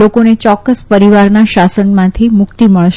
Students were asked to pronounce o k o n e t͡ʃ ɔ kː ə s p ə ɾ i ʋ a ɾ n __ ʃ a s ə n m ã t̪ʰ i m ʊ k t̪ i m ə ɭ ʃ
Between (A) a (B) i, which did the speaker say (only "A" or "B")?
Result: A